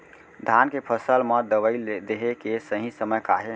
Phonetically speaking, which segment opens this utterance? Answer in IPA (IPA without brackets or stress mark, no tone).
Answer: d̪ʱ